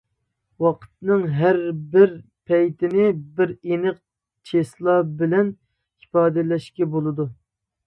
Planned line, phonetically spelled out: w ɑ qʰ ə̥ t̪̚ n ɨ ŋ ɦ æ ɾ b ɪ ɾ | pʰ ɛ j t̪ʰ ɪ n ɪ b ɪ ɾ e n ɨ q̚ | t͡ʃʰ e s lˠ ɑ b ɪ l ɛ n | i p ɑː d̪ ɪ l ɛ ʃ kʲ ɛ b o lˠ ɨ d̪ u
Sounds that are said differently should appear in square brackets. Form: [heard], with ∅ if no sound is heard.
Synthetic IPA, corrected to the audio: w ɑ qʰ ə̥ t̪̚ n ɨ ŋ ɦ æ ɾ b ɪ ɾ | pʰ ɛ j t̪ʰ ɪ n ɪ b ɪ ɾ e n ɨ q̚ | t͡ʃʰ e s lˠ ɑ b ɪ l ɛ n | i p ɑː d̪ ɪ l ɛ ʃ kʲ ɛ b o lˠ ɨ d̪ u